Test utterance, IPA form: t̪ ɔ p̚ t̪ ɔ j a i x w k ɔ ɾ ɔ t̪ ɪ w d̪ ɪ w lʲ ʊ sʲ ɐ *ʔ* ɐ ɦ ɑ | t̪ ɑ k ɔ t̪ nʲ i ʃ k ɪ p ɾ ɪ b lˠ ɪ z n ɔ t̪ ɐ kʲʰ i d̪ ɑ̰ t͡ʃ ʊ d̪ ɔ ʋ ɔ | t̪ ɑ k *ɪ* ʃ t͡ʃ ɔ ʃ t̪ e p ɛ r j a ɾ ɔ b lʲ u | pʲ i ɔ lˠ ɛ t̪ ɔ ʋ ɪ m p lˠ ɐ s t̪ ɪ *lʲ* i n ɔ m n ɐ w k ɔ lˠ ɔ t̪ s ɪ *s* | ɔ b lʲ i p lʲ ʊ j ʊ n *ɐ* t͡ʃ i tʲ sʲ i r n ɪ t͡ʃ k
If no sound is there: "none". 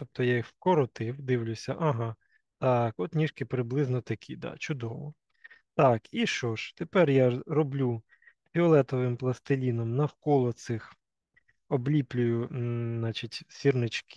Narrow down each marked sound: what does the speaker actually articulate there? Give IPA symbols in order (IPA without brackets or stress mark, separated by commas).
ʔ, i, lʲ, x, ɑ